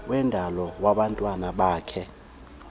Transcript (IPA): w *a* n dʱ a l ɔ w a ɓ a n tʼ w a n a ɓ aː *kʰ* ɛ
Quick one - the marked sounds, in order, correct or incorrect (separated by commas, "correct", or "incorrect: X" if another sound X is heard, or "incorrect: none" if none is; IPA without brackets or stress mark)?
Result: incorrect: ɛ, correct